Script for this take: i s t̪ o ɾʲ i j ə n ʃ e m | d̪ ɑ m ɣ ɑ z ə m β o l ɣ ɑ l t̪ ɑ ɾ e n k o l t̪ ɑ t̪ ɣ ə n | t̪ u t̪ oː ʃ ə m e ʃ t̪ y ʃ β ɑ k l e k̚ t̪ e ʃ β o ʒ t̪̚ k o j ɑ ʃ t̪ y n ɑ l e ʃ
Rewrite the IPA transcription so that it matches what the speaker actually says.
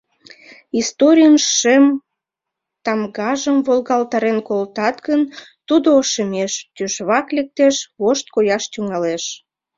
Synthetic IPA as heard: i s t̪ o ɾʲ i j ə n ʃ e m | t̪ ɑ m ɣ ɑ ʒ ə m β o l ɣ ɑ l t̪ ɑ ɾ e n k o l t̪ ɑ t̪ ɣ ə n | t̪ u d̪ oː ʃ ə m e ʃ t̪ y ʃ β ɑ k l e k̚ t̪ e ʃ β o ʃ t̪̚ k o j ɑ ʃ t̪ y ŋ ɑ l e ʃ